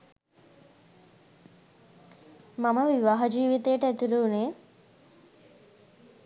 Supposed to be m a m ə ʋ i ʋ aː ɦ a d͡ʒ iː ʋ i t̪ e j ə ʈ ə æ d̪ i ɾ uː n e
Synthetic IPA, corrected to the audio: m a m ə ʋ i ʋ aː ɦ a d͡ʒ iː ʋ i t̪ e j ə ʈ ə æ t̪ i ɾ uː n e